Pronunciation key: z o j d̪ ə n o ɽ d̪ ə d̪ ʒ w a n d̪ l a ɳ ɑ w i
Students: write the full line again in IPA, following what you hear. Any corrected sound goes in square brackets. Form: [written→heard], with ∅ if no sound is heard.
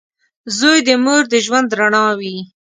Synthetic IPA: z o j d̪ ə [n→m] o [ɽ→ɾ] d̪ ə [d̪→∅] ʒ w a n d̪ [l→ɾ] a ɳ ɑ w i

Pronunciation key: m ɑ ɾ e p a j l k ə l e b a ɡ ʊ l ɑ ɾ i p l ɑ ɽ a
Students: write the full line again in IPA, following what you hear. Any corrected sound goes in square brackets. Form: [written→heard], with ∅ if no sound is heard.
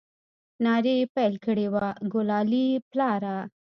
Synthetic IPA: [m→n] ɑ ɾ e p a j l k ə [l→ɽ] e [b→w] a ɡ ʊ l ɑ [ɾ→l] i p l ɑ [ɽ→ɾ] a

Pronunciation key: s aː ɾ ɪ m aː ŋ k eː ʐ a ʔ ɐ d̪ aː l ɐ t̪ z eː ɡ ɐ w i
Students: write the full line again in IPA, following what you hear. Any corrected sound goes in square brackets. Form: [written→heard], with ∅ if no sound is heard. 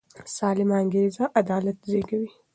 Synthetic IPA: s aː [ɾ→l] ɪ m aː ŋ [k→ɡ] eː [ʐ→z] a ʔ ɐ d̪ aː l ɐ t̪ z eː ɡ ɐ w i

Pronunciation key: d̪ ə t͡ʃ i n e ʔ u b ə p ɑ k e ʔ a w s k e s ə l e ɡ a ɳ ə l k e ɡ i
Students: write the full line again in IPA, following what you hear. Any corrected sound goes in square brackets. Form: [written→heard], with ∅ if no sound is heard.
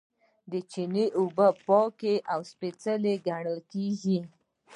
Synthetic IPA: d̪ ə t͡ʃ i n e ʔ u b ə p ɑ k e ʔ a w s [k→p] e [s→t͡s] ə l e ɡ a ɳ ə l k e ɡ i

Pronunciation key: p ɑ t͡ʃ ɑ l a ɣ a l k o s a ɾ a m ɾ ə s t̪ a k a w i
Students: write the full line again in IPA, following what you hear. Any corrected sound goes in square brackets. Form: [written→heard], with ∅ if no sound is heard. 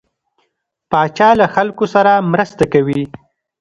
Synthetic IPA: p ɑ t͡ʃ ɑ l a [ɣ→x] a l k o s a ɾ a m ɾ ə s t̪ a k a w i

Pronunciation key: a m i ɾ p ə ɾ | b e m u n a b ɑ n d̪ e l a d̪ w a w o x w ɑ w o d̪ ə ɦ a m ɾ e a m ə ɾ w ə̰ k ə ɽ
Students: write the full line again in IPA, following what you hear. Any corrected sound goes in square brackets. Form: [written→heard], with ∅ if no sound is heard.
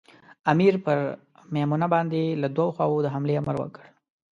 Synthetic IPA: a m i ɾ p ə ɾ | [b→m] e m u n a b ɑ n d̪ e l a d̪ w a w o x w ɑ w o d̪ ə ɦ a m [ɾ→l] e a m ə ɾ w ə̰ k ə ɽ

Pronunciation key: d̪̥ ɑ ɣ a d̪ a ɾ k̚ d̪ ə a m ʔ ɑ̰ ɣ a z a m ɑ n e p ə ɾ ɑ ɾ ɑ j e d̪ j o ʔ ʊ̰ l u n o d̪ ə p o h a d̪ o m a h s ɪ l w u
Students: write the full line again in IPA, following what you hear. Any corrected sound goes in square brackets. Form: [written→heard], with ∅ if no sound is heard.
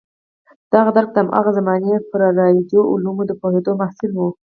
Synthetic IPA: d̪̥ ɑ ɣ a d̪ a ɾ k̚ d̪ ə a m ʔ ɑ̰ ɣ a z a m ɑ n e p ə ɾ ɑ ɾ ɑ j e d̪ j o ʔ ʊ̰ l u [n→m] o d̪ ə p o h [a→e] d̪ o m a h s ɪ l w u

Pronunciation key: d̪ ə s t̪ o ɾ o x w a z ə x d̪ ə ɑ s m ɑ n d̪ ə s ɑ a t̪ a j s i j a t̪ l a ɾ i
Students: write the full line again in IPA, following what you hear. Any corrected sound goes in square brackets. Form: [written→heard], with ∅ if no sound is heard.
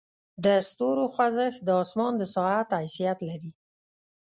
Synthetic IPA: d̪ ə s t̪ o ɾ o x w a z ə x d̪ ə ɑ s m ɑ n d̪ ə s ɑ a t̪ a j s i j a t̪ l a ɾ i

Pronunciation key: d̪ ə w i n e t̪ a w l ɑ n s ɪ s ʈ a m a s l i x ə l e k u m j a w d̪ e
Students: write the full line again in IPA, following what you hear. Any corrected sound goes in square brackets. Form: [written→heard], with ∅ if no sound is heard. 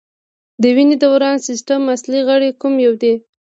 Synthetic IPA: d̪ ə w i n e [t̪→d̪] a w [l→ɾ] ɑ n s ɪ s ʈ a m a s l i [x→ɣ] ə [l→ɽ] e k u m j a w d̪ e

